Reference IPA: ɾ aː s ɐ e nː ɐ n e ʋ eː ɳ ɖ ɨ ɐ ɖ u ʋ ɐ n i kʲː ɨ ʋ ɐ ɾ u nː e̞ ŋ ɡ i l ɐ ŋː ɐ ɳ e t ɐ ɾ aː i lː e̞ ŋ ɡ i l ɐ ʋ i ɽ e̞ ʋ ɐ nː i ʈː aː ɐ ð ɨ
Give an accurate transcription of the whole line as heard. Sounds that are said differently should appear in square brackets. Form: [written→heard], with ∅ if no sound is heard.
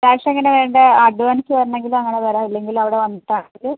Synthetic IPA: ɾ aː [s→ʂ] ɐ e [nː→ŋː] ɐ n e ʋ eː ɳ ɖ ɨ ɐ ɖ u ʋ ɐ n i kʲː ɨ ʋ ɐ ɾ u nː e̞ ŋ ɡ i l ɐ ŋː ɐ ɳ e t ɐ ɾ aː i lː e̞ ŋ ɡ i l ɐ ʋ i ɽ e̞ ʋ ɐ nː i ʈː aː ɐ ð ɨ